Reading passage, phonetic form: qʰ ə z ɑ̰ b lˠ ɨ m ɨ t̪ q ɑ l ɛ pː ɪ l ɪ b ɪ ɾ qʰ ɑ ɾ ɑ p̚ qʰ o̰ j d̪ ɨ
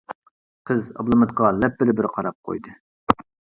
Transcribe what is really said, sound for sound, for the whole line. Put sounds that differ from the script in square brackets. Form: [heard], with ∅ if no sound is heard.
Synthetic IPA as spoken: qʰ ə z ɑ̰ b lˠ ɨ m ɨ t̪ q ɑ l ɛ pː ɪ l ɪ b ɪ ɾ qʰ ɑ ɾ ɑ p̚ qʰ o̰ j d̪ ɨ